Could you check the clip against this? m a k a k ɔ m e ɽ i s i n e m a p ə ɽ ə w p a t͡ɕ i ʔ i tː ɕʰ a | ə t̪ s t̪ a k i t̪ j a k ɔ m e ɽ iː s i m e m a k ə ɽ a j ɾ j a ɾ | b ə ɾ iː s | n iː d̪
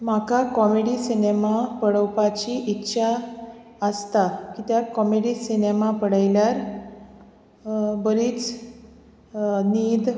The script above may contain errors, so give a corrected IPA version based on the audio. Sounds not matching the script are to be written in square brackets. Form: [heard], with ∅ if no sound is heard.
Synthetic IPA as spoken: m a k a k ɔ m e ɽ i s i n e m a p ə ɽ ə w p a t͡ɕ i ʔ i tː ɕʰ a | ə [∅] s t̪ a k i t̪ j a k ɔ m e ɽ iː s i [n] e m a [p] ə ɽ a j [l] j a ɾ | b ə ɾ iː [t͡s] | n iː d̪